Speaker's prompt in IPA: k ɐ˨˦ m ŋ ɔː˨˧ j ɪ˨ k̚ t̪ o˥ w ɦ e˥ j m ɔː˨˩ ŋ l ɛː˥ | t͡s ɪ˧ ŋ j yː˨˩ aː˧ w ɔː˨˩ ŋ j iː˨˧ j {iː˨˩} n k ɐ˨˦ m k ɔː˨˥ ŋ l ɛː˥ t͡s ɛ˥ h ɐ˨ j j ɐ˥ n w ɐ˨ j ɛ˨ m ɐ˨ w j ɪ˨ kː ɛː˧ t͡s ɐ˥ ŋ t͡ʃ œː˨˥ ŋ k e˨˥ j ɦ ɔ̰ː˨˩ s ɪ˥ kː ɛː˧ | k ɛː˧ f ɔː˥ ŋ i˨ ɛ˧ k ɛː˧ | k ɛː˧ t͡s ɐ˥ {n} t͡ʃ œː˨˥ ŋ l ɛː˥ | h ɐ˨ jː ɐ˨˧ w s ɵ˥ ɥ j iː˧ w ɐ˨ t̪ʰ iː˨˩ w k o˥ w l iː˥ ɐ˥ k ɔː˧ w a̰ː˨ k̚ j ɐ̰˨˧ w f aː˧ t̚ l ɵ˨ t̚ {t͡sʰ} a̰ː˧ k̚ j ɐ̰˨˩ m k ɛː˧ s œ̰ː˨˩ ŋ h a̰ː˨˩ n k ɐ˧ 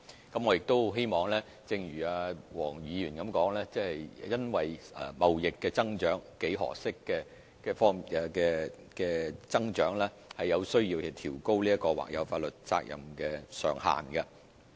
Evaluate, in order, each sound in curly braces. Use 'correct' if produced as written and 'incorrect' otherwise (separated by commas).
incorrect, incorrect, incorrect